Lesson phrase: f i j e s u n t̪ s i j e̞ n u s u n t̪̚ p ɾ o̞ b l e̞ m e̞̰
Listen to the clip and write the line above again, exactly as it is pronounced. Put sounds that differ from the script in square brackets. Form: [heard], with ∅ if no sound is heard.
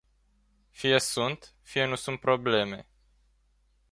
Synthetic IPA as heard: f i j e s u n t̪ [f] i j e̞ n u s u n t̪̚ p ɾ o̞ b l e̞ m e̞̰